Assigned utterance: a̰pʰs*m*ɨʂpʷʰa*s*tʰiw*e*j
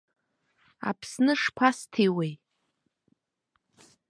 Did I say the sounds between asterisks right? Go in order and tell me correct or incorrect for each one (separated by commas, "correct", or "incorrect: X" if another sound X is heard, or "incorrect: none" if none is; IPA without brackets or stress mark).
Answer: incorrect: n, correct, correct